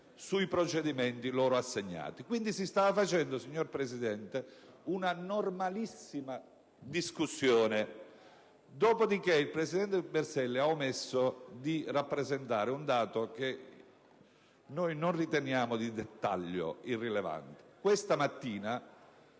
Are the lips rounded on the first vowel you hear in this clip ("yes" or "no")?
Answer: yes